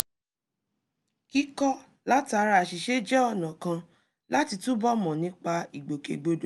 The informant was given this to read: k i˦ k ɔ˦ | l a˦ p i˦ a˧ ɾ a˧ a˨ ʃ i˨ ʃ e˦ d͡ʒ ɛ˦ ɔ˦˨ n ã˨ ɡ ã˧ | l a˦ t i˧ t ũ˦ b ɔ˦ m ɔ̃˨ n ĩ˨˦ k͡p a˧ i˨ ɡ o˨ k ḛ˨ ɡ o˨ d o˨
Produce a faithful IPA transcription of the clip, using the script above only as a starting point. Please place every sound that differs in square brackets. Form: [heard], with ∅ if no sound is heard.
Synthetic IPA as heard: k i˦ k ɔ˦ | l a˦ [t] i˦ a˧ ɾ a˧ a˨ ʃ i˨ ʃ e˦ d͡ʒ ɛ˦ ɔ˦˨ n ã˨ [k] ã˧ | l a˦ t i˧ t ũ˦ b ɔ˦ m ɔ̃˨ n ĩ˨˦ k͡p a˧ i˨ [ɡ͡b] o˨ k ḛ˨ [ɡ͡b] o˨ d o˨